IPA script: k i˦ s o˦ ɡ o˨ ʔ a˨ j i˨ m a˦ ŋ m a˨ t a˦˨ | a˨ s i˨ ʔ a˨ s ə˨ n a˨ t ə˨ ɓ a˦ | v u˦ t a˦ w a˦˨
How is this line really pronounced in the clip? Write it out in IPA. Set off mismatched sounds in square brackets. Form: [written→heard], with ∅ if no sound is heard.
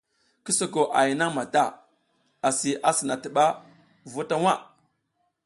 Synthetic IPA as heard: k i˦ s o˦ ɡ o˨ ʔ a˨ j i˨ [m→n] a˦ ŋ m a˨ t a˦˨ | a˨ s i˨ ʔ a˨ s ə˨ n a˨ t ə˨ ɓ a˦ | v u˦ t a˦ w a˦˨